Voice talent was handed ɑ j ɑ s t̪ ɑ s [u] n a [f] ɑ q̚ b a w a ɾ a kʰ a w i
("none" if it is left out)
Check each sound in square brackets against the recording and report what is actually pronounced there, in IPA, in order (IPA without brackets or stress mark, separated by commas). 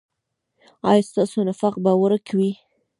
o, f